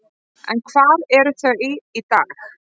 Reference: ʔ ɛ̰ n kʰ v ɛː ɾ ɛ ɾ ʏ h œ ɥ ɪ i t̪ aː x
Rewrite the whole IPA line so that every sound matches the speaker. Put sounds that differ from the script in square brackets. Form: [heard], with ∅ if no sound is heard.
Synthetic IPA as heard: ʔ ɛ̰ n kʰ v [aː] ɾ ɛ ɾ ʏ [θ] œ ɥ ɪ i t̪ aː x